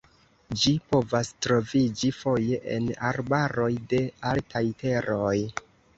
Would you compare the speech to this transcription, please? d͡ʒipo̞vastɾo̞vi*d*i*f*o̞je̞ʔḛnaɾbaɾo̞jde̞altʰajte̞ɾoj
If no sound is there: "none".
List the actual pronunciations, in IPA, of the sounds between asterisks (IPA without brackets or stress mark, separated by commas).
d͡ʒ, f